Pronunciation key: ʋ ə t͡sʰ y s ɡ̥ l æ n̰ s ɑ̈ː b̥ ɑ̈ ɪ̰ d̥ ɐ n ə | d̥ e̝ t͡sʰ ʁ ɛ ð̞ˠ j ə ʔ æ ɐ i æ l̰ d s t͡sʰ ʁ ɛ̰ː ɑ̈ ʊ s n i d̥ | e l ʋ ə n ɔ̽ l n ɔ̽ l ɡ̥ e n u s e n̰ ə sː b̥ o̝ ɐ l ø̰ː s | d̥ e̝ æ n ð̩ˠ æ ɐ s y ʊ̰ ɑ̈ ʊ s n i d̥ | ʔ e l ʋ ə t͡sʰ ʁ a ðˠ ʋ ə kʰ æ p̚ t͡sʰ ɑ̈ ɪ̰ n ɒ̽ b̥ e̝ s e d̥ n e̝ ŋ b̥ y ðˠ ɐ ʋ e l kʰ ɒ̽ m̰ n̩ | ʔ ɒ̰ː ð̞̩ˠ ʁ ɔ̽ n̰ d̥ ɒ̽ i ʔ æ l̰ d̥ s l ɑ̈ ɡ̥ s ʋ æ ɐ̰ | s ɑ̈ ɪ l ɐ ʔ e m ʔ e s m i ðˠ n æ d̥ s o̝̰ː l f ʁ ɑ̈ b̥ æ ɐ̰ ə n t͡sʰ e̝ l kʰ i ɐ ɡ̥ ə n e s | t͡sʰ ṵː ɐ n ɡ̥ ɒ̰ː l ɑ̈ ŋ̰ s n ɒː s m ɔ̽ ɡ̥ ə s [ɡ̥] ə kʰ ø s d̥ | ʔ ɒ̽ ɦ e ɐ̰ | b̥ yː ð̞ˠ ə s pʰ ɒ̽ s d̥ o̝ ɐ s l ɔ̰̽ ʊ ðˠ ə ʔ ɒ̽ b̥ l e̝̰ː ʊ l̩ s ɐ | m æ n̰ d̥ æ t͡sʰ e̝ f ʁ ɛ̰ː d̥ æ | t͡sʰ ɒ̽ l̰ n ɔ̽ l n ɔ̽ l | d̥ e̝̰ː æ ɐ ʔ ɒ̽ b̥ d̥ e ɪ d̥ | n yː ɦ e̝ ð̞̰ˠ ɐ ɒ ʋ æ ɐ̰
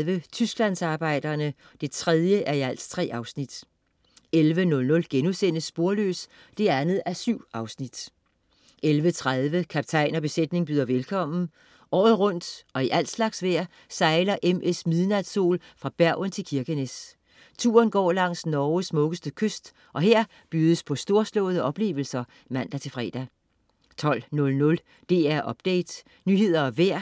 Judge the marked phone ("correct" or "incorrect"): incorrect